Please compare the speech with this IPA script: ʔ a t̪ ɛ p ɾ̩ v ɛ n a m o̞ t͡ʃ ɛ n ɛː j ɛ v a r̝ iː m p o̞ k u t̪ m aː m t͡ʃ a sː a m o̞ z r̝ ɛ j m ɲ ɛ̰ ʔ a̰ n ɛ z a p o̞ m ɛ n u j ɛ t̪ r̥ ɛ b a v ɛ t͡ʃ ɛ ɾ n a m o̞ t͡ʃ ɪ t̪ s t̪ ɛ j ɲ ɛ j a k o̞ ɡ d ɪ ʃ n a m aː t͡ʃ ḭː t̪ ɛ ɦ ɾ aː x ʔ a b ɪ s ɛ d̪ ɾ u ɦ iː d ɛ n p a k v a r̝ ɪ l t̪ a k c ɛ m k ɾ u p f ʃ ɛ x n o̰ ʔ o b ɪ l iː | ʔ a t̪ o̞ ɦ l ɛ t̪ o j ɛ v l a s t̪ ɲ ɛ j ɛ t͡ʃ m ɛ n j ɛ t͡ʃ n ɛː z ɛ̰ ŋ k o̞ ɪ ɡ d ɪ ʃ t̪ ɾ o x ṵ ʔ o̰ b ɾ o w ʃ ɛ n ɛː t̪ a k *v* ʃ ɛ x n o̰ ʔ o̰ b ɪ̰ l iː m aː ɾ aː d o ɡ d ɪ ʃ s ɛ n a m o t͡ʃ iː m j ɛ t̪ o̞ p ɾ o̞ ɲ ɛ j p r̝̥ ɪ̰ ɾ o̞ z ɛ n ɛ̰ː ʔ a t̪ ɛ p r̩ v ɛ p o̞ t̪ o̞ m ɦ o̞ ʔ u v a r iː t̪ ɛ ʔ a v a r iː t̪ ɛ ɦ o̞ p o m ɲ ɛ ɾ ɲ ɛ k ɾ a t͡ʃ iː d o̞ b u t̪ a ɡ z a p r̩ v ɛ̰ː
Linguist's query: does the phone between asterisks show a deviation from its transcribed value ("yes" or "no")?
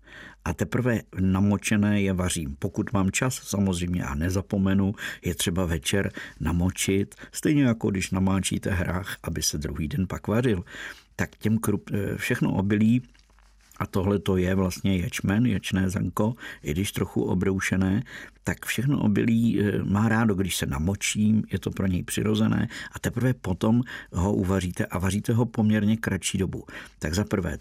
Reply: yes